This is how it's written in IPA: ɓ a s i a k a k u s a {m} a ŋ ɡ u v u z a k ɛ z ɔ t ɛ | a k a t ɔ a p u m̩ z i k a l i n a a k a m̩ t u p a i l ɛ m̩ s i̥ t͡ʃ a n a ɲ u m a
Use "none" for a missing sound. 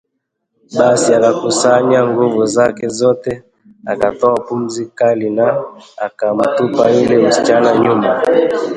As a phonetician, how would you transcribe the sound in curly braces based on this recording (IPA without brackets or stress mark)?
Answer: ɲ